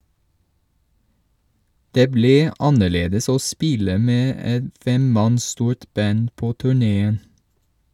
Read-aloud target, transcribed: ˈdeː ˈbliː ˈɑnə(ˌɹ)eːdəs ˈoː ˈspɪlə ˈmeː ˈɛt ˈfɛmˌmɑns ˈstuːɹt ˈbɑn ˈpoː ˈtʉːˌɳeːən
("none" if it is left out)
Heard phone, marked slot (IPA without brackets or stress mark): ɭ